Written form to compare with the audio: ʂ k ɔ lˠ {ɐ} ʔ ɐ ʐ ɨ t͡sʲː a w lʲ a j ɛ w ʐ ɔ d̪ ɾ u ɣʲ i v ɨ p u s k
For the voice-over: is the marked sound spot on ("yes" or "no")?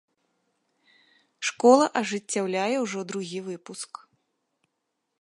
yes